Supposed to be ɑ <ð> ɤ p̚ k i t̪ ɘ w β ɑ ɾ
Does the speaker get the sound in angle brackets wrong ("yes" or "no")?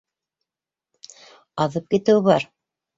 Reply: no